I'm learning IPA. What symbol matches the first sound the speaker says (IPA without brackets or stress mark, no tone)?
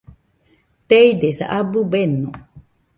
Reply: t̪